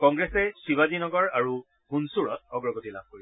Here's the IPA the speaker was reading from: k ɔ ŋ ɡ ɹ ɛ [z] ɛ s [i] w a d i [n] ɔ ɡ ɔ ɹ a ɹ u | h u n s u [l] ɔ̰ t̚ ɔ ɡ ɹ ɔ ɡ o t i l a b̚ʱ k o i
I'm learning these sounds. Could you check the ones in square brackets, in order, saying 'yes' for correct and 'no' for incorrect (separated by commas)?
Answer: no, yes, yes, no